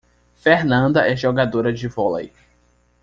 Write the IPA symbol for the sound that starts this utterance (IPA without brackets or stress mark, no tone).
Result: f